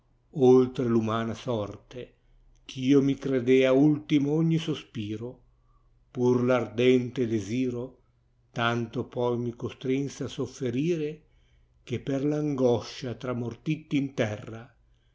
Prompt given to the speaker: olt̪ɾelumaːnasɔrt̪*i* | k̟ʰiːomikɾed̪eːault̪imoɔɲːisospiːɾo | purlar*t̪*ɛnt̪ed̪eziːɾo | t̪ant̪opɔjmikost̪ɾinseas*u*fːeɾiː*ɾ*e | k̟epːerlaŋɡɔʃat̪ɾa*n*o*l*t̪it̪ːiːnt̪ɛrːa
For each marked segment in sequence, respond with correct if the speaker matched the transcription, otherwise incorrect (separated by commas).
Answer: incorrect, incorrect, incorrect, correct, incorrect, incorrect